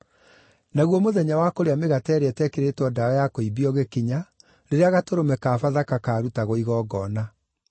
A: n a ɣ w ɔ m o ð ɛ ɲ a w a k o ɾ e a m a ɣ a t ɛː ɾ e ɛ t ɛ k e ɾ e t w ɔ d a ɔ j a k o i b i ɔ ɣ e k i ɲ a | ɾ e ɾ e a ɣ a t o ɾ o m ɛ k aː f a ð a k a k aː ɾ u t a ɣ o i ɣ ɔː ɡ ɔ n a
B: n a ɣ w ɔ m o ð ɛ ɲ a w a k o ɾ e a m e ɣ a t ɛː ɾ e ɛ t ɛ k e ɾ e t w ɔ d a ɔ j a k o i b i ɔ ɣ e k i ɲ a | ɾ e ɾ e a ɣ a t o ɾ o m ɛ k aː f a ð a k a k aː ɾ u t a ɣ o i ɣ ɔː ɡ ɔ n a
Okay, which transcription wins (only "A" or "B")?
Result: B